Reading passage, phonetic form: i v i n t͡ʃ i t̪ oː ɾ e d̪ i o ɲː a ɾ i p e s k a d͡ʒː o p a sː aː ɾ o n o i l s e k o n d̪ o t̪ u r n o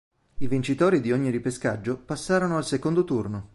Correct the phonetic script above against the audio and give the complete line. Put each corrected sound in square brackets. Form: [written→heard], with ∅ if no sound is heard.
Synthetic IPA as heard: i v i n t͡ʃ i t̪ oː ɾ [e→i] d̪ i o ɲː [a→i] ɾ i p e s k a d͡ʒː o p a sː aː ɾ o n o [i→a] l s e k o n d̪ o t̪ u r n o